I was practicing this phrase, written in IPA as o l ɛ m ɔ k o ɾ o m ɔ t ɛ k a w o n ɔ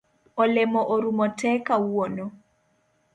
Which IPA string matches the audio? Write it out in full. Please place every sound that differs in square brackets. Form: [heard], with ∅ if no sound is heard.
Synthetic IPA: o l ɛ m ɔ [ʔ] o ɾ [u] m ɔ t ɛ k a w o n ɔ